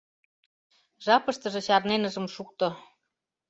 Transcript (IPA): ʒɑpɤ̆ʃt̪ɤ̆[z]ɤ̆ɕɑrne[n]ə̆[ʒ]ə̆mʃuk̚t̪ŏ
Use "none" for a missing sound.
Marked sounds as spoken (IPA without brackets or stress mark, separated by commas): ʒ, n, ʒ